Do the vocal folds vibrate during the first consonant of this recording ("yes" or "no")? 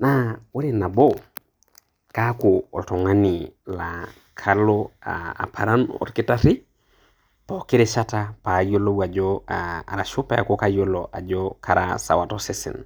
yes